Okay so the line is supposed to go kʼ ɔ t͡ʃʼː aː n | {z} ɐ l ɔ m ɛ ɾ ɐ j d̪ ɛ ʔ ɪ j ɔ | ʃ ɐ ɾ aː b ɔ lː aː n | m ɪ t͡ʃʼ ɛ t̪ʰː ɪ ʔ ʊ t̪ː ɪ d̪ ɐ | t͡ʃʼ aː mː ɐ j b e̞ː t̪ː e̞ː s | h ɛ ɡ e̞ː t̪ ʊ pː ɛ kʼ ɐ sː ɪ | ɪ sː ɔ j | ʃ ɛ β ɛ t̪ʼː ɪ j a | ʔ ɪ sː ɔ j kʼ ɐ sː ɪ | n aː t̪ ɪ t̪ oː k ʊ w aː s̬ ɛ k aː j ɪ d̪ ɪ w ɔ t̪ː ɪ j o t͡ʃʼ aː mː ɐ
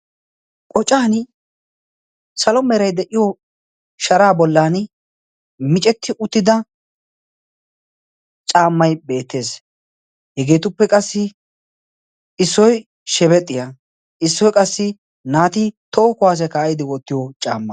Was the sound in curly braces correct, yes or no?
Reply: no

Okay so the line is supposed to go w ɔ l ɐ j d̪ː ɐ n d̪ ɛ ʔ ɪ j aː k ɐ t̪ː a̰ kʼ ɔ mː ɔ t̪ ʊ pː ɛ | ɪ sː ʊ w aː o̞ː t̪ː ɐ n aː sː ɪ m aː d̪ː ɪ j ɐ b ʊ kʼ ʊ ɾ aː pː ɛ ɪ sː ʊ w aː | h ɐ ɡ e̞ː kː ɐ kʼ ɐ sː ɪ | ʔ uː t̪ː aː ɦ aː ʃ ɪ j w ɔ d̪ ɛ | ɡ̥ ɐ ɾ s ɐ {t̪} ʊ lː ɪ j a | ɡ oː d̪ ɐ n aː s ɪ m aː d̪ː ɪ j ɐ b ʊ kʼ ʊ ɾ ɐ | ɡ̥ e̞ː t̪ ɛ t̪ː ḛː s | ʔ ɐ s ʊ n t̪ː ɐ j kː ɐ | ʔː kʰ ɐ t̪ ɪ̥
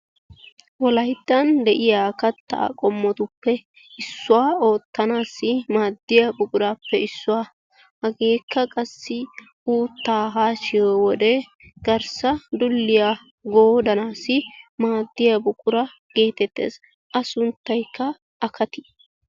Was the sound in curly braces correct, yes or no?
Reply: no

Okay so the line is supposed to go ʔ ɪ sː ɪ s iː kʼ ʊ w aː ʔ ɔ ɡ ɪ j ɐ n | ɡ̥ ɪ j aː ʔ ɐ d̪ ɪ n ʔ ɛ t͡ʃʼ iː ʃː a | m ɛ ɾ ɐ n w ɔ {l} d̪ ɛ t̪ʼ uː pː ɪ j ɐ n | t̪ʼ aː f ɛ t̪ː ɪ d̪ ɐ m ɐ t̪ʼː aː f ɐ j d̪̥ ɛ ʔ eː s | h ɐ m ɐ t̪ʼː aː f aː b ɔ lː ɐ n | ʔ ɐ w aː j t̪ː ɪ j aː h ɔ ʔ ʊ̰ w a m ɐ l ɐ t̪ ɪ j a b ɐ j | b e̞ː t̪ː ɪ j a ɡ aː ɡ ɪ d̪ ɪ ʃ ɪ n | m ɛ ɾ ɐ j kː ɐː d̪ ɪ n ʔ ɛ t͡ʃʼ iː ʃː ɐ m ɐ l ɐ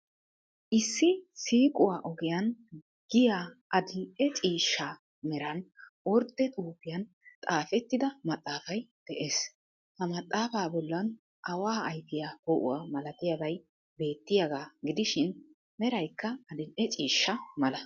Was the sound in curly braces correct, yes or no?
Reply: no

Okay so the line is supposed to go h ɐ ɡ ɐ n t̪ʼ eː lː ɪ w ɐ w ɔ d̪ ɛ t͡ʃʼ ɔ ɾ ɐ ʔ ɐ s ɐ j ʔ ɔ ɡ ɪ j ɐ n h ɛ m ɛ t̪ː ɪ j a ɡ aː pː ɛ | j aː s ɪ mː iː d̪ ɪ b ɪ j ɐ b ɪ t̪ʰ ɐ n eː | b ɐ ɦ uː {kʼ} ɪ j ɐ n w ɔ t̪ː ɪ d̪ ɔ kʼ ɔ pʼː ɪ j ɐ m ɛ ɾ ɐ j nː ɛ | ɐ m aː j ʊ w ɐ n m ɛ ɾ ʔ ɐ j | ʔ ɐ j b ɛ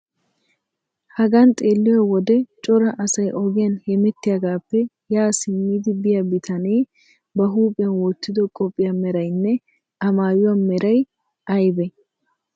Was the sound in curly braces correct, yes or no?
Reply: no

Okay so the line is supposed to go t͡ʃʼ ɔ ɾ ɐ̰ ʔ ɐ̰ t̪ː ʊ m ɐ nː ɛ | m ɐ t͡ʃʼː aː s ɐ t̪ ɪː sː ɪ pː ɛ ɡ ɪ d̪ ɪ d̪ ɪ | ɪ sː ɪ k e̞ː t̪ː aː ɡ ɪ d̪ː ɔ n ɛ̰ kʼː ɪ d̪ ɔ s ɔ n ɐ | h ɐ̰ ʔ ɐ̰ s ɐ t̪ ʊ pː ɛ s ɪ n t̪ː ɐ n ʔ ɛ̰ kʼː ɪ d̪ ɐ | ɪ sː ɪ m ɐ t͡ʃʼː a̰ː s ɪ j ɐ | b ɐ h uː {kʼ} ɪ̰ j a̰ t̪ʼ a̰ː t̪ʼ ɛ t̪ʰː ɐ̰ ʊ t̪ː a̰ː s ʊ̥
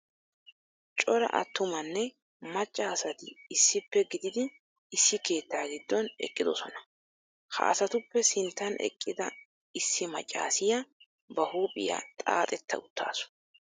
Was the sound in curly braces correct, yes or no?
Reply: no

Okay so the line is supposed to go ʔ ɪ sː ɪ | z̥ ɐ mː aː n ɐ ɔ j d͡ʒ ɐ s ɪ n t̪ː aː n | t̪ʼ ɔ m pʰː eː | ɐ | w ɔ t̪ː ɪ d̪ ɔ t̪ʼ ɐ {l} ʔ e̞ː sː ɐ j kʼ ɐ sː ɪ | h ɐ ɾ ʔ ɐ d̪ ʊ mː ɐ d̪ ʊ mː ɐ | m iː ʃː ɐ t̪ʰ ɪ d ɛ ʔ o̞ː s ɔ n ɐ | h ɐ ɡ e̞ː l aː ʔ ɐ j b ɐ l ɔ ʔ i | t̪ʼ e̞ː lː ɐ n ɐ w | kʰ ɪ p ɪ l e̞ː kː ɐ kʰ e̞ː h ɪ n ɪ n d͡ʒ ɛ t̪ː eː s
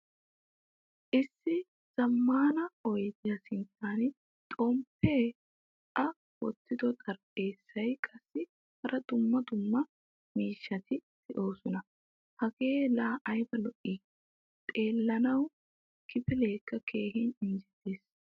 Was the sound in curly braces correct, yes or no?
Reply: no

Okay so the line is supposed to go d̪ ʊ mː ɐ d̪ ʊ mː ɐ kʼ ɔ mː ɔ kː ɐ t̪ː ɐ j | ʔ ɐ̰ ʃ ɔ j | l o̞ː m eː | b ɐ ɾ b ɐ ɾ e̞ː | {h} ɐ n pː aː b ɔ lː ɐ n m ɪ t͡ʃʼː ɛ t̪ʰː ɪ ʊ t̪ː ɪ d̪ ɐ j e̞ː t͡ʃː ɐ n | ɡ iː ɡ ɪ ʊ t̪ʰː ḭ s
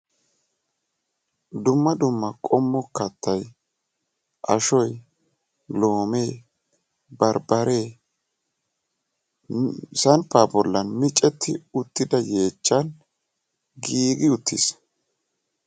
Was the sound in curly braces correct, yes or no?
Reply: no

